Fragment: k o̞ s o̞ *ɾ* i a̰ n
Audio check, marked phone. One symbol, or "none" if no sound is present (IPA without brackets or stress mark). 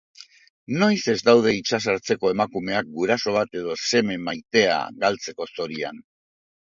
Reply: ɾ